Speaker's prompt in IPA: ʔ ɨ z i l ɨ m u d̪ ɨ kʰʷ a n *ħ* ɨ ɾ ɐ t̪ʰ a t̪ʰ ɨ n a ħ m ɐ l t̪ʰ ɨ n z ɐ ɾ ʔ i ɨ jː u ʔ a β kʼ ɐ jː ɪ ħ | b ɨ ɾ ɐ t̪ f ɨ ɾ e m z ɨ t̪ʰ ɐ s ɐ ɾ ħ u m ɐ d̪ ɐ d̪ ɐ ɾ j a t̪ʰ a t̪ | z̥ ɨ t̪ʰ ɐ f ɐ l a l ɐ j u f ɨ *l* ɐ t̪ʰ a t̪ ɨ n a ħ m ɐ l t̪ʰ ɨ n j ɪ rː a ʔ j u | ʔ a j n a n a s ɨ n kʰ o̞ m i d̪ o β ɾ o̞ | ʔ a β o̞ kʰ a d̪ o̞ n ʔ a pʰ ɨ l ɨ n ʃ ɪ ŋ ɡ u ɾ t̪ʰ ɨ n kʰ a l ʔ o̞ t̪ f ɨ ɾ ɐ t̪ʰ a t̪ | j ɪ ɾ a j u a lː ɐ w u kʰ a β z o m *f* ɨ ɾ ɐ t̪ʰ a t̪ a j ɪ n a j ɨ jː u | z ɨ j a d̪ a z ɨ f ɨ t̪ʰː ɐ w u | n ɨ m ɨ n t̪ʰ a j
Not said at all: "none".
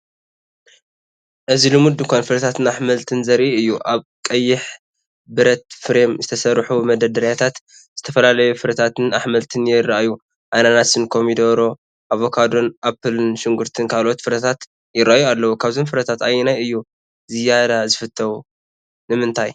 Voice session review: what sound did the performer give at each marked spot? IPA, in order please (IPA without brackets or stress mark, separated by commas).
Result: f, ɾ, f